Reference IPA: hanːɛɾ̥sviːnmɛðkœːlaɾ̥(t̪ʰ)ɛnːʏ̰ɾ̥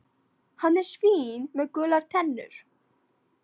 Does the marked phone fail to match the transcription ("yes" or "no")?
no